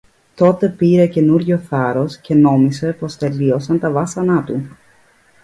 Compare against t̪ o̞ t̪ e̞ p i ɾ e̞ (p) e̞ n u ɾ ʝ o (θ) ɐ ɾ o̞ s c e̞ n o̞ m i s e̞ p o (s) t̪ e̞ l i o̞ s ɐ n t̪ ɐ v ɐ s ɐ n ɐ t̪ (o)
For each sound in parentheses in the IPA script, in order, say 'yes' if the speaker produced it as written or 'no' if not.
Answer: no, yes, yes, no

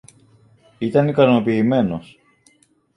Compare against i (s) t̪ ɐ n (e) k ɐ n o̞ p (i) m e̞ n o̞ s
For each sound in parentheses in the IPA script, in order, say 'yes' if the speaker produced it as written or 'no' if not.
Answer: no, no, no

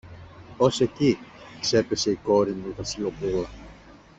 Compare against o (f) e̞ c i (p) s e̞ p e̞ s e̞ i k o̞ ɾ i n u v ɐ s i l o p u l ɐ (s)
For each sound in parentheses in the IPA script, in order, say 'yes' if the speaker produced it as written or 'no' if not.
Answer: no, no, no

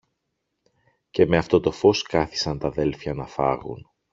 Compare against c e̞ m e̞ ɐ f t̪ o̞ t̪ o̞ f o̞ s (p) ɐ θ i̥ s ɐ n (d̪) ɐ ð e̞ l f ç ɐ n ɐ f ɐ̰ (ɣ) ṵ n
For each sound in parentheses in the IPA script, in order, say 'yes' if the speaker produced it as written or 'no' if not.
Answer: no, no, yes

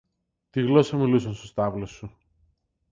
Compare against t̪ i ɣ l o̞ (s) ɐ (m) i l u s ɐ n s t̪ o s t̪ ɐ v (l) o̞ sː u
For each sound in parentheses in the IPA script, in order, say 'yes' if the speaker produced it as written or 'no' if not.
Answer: yes, yes, yes

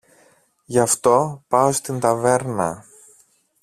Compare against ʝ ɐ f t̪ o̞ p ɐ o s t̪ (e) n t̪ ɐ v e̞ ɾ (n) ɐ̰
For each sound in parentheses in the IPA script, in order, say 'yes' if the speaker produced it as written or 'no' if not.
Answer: no, yes

